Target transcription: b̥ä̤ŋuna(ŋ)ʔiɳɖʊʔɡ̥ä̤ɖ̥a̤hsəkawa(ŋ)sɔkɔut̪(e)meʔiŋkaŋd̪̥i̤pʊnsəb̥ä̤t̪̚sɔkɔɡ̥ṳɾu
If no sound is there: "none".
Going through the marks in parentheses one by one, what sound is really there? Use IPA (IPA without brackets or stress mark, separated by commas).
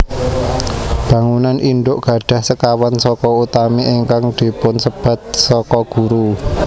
n, n, a